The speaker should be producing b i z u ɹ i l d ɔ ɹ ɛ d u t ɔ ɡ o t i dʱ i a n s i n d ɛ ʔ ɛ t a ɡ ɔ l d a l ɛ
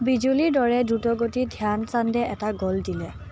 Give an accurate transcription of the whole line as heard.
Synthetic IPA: b i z u l i ɹ d ɔ ɹ ɛ d u t ɔ ɡ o t i dʱ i a n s a n d ɛ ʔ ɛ t a ɡ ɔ l d i l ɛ